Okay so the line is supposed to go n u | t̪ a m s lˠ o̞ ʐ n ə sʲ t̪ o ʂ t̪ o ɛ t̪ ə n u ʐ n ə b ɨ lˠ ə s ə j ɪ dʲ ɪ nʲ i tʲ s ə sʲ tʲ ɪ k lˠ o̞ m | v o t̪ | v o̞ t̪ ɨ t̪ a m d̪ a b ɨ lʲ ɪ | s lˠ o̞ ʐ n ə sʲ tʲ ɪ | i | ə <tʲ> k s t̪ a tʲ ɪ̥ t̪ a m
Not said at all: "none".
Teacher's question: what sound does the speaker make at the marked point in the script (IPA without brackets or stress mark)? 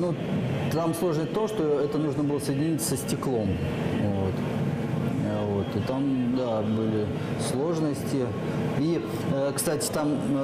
none